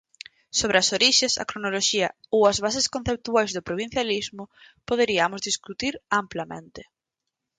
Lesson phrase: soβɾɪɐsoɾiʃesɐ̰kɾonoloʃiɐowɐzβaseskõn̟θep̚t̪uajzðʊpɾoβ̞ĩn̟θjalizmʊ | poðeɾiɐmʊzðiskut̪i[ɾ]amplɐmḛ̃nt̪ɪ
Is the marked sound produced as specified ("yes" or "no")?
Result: yes